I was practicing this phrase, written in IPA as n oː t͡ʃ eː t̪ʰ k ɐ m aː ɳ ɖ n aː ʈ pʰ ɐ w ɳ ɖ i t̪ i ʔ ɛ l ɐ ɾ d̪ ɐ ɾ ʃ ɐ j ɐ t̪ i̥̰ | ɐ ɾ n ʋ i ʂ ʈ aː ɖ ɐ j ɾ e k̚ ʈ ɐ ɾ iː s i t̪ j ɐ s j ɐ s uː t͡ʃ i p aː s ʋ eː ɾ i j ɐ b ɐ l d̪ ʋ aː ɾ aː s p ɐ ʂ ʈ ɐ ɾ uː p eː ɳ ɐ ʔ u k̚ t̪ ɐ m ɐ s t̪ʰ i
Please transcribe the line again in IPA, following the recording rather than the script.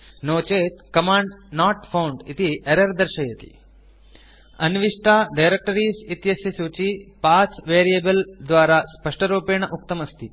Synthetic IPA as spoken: n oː t͡ʃ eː t̪ k ɐ m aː ɳ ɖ n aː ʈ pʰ ɐ w ɳ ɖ i t̪ i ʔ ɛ ɾ ɐ ɾ d̪ ɐ ɾ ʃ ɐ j ɐ t̪ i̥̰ | ɐ n ʋ i ʂ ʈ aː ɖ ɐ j ɾ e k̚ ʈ ɐ ɾ iː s i t̪ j ɐ s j ɐ s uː t͡ʃ i p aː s ʋ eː ɾ i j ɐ b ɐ l d̪ ʋ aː ɾ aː s p ɐ ʂ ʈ ɐ ɾ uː p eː ɳ ɐ ʔ u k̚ t̪ ɐ m ɐ s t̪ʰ i